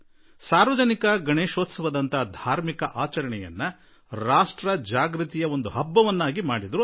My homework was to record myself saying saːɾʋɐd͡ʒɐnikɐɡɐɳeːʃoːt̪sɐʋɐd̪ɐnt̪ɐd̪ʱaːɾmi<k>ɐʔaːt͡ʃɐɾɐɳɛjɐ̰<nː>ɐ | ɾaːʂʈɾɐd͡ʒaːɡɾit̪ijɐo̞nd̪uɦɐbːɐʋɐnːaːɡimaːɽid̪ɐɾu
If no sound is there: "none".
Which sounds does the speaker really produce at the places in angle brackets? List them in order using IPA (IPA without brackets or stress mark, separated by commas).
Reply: k, nː